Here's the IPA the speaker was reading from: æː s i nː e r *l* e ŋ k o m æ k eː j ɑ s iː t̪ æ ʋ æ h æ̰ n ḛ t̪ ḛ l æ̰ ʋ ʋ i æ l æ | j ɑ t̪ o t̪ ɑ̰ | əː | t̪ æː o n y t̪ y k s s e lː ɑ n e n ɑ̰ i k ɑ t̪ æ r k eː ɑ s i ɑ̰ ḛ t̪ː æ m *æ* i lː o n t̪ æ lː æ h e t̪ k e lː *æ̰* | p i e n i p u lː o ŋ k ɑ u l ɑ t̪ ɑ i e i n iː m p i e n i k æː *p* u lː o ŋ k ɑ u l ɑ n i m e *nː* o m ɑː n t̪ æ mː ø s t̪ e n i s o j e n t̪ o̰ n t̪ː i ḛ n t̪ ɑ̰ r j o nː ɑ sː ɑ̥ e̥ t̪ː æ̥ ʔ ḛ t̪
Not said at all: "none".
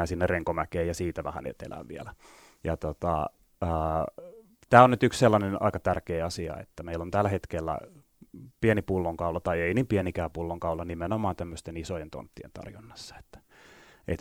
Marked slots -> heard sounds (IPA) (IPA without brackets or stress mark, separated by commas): r, e, æ̰, p, n